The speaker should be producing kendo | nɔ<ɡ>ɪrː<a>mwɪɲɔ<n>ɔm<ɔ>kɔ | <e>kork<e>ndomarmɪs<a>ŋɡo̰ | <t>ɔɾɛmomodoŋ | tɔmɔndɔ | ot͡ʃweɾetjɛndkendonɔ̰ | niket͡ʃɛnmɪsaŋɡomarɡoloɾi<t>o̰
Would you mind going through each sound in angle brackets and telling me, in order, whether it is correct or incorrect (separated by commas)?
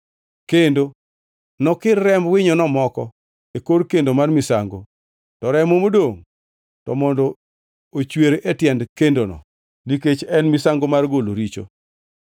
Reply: incorrect, incorrect, correct, correct, correct, correct, correct, correct, incorrect